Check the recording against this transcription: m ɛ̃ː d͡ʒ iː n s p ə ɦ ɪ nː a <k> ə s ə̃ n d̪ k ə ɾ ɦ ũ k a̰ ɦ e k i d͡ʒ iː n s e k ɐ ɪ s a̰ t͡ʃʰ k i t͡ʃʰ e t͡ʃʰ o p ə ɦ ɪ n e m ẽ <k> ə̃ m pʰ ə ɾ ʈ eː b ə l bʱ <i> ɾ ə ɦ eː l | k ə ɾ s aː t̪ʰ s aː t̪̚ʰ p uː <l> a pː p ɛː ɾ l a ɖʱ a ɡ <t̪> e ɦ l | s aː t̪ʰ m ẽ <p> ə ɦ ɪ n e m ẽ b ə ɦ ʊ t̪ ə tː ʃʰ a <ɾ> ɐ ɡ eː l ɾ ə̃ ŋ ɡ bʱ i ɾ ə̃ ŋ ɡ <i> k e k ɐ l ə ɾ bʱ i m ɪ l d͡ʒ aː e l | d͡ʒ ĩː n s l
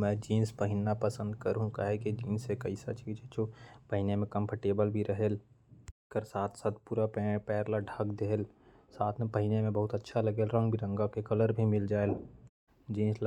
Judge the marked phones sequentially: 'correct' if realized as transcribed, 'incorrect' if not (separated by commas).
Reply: incorrect, correct, correct, incorrect, incorrect, correct, incorrect, incorrect